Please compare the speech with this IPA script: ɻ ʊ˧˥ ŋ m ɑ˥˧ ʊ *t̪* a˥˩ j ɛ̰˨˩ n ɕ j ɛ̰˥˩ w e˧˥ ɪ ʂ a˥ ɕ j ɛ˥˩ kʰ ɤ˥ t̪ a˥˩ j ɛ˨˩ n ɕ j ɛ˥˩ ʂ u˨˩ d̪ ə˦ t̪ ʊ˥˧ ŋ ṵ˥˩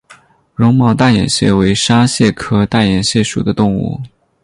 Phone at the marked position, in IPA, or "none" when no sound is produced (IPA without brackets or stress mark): t̪